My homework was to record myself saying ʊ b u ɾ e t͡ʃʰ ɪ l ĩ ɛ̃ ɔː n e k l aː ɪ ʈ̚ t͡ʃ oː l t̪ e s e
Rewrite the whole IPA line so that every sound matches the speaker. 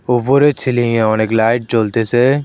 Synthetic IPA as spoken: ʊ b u ɾ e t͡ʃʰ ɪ l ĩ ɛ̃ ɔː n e k l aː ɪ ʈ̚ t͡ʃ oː l t̪ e s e

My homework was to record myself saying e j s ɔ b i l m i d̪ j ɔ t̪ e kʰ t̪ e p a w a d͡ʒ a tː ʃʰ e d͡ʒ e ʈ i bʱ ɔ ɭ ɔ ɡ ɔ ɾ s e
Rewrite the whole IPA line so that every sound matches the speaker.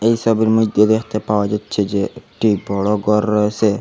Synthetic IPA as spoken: e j s ɔ b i ɾ m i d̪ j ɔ d̪ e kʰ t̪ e p a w a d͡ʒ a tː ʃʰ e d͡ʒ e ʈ i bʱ ɔ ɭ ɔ ɡ ɔ ɾ s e

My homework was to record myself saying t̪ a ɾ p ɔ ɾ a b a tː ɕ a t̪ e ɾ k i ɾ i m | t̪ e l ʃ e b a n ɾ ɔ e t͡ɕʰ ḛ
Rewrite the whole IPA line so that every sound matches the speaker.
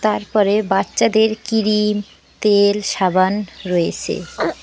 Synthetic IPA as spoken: t̪ a ɾ p ɔ ɾ e b a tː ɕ a d̪ e ɾ k i ɾ i m | t̪ e l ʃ a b a n ɾ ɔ e t͡ɕʰ ḛ

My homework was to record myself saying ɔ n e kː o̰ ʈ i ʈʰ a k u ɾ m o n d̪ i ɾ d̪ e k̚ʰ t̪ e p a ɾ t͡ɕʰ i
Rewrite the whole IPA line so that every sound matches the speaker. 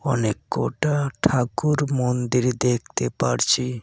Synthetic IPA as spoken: ɔ n e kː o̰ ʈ a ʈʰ a k u ɾ m o n d̪ i ɾ d̪ e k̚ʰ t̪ e p a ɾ t͡ɕʰ i

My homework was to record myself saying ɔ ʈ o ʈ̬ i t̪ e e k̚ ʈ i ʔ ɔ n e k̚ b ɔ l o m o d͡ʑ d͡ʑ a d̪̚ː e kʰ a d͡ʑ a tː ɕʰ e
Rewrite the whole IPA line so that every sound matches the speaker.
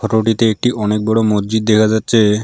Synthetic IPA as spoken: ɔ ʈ o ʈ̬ i t̪ e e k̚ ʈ i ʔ ɔ n e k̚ b ɔ ɽ o m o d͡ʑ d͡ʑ i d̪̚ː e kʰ a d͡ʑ a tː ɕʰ e

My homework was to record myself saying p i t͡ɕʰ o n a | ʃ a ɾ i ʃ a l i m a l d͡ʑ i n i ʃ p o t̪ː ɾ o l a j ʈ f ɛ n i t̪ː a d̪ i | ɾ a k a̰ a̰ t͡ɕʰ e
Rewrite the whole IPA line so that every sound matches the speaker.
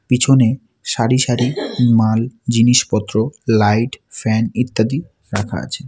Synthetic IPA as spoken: p i t͡ɕʰ o n e | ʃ a ɾ i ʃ a ɾ i m a l d͡ʑ i n i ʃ p ɔ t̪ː ɾ o l a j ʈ f ɛ n i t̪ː a d̪ i | ɾ a kʰ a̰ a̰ t͡ɕʰ e

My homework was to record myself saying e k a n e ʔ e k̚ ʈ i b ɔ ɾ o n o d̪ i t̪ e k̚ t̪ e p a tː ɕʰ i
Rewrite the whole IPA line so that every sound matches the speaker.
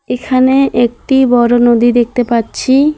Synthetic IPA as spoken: e kʰ a n e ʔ e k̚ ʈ i b ɔ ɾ o n o d̪ i d̪ e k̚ t̪ e p a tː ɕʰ i

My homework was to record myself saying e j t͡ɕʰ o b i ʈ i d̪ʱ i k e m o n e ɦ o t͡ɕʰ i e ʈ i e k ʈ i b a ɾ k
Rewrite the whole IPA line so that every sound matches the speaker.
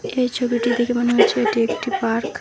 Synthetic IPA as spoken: e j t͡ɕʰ o b i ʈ i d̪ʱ i k e m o n e ɦ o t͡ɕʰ e e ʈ i e k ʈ i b a ɾ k

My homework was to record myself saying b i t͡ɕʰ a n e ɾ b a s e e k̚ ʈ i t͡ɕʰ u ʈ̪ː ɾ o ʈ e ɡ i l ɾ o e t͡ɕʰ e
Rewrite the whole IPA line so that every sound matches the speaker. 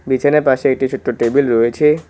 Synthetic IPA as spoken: b i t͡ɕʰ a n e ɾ p a ʃ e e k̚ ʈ i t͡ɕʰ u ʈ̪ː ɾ o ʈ e b i l ɾ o e t͡ɕʰ e

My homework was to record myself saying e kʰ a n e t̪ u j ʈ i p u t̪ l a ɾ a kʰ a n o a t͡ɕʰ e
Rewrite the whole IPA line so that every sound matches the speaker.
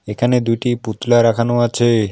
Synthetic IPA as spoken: e kʰ a n e d̪ u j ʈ i p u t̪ l a ɾ a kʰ a n o a t͡ɕʰ e

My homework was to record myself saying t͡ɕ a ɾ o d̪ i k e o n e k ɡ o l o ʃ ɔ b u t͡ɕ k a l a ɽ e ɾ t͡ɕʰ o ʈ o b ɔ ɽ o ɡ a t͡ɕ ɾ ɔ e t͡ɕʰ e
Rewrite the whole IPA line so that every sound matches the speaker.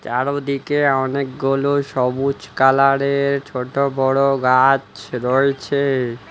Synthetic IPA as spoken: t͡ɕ a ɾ o d̪ i k e ɔ n e k ɡ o l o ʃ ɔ b u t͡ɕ k a l a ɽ e ɾ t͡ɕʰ o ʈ o b ɔ ɽ o ɡ a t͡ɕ ɾ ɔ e t͡ɕʰ e

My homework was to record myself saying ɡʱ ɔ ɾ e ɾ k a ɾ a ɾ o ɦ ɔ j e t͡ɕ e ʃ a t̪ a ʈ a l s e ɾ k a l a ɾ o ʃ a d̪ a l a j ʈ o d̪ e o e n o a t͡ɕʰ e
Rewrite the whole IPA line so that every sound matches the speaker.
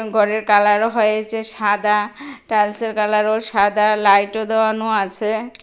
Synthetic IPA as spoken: ɡʱ ɔ ɾ e ɾ k a l a ɾ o ɦ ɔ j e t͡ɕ e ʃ a d̪ a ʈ a l s e ɾ k a l a ɾ o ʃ a d̪ a l a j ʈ o d̪ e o a n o a t͡ɕʰ e

